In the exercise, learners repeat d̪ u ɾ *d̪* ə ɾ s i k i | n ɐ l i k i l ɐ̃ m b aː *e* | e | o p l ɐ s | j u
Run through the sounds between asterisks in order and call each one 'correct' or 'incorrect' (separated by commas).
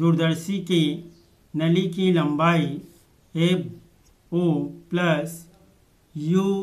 correct, incorrect